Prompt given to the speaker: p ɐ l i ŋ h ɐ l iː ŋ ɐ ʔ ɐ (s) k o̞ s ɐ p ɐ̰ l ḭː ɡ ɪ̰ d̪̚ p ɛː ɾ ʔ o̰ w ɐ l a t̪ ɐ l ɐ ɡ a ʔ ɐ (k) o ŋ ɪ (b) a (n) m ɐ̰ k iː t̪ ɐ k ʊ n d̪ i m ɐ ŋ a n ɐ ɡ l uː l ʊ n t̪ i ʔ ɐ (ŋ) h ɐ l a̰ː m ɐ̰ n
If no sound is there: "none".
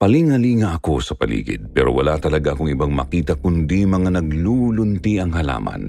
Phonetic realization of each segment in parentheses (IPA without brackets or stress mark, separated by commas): none, k, b, ŋ, ŋ